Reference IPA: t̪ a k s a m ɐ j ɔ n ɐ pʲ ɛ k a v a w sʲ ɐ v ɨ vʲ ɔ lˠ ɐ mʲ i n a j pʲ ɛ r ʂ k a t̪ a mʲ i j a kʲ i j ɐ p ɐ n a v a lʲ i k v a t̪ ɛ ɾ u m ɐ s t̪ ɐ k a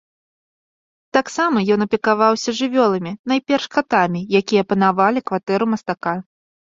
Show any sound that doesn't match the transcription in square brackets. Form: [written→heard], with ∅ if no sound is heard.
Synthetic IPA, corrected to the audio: t̪ a k s a m ɐ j ɔ n ɐ pʲ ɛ k a v a w sʲ ɐ [v→ʐ] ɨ vʲ ɔ lˠ ɐ mʲ i n a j pʲ ɛ r ʂ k a t̪ a mʲ i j a kʲ i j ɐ p ɐ n a v a lʲ i k v a t̪ ɛ ɾ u m ɐ s t̪ [ɐ→a] k a